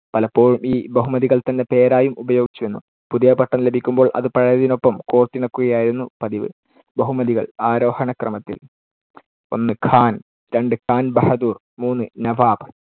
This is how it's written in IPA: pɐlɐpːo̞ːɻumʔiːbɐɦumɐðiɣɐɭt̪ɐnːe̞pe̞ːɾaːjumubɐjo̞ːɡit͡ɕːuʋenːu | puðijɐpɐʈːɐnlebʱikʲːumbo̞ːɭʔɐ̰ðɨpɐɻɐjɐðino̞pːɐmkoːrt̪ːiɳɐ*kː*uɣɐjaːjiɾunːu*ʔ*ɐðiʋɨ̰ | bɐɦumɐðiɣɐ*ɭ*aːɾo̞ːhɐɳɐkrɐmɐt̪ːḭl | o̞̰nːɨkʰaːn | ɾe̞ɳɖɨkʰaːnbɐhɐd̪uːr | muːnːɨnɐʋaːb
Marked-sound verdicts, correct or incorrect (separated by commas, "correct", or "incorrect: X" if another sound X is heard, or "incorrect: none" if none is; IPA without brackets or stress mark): correct, incorrect: p, correct